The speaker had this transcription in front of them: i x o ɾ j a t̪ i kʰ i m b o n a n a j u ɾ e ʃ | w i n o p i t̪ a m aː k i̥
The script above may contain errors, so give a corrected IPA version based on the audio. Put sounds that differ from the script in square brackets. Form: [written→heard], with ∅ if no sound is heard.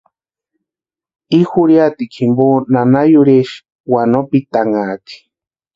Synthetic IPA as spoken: i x [o→u] ɾ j a t̪ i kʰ i m b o n a n a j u ɾ e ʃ | w [i→a] n o p i t̪ a [m→ŋ] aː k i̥